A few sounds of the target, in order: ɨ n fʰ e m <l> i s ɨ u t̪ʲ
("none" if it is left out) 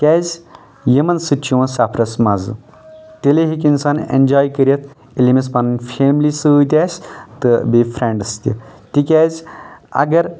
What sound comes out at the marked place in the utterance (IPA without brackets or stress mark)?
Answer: l